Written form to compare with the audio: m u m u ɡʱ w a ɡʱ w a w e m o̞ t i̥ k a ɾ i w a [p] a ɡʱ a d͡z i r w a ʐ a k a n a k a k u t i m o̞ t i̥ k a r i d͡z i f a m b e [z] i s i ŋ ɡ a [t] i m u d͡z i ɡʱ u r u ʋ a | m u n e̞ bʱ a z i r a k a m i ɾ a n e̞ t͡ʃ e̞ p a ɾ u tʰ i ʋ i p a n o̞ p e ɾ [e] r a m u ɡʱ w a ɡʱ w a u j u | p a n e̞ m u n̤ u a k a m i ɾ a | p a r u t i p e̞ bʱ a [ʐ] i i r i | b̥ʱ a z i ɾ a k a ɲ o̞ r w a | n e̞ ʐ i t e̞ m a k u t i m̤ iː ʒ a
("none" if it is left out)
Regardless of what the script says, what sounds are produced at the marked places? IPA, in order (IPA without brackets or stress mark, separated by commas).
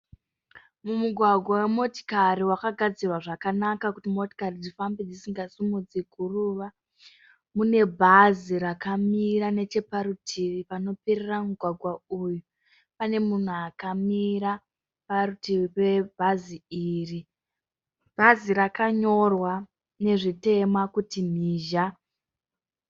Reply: k, d͡z, s, e, z